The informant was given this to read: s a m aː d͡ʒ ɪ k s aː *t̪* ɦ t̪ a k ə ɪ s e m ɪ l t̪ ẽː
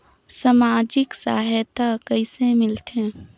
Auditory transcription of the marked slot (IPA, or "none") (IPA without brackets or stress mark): none